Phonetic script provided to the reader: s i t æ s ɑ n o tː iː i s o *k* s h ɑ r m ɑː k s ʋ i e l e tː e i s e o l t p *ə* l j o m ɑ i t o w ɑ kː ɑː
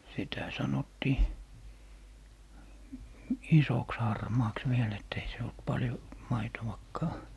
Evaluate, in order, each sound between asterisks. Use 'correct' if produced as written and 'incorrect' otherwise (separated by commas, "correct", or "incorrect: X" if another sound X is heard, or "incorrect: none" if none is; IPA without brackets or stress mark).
correct, incorrect: ɑ